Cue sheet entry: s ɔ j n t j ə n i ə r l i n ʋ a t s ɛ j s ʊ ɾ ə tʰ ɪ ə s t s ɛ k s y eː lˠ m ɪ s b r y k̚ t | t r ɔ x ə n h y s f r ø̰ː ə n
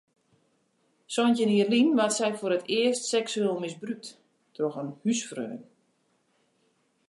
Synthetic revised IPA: s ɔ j n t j ə n i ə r l i n ʋ a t s ɛ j f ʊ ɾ ə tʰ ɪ ə s t s ɛ k s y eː lˠ m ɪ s b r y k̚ t | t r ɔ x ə n h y s f r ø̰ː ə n